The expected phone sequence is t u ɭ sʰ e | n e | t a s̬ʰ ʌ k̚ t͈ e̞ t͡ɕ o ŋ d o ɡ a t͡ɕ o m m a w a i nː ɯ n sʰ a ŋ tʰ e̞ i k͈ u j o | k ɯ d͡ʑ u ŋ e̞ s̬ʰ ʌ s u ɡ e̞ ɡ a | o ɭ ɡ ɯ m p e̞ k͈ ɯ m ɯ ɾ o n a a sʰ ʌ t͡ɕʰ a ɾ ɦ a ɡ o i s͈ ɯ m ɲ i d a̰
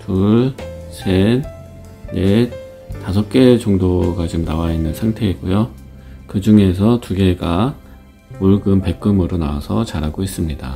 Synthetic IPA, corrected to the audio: t u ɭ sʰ e | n e | t a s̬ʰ ʌ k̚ k͈ e̞ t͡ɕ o ŋ d o ɡ a t͡ɕ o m n a w a i nː ɯ n sʰ a ŋ tʰ e̞ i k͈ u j o | k ɯ d͡ʑ u ŋ e̞ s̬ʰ ʌ t u ɡ e̞ ɡ a | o ɭ ɡ ɯ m p e̞ k͈ ɯ m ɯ ɾ o n a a sʰ ʌ t͡ɕ a ɾ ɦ a ɡ o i s͈ ɯ m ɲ i d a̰